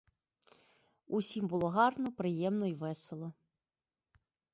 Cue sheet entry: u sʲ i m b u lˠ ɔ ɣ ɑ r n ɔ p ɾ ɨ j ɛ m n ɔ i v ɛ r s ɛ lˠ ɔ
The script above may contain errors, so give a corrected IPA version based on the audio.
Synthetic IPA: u sʲ i m b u lˠ ɔ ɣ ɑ r n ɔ p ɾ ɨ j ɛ m n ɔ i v ɛ s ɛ lˠ ɔ